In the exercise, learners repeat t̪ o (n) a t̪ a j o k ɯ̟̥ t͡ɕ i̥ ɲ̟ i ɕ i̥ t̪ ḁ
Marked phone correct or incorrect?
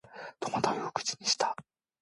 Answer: incorrect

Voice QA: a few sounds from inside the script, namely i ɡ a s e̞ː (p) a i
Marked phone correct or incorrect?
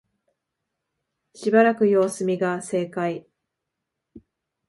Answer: incorrect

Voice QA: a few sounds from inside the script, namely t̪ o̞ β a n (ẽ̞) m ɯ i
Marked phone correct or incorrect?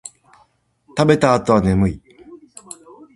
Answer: incorrect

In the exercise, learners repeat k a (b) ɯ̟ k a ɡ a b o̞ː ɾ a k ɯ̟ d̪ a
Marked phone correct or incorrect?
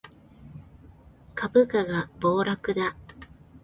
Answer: correct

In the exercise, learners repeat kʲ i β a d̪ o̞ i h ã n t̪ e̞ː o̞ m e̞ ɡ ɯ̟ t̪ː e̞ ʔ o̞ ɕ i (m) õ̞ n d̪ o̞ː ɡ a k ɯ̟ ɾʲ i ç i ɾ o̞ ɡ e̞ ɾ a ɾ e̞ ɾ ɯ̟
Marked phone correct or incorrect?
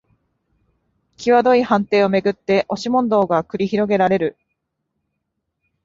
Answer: correct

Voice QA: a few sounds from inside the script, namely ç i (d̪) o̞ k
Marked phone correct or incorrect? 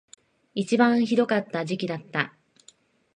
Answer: correct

